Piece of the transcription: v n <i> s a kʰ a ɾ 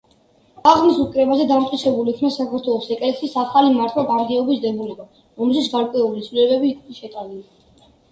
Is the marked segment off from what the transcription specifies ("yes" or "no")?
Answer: yes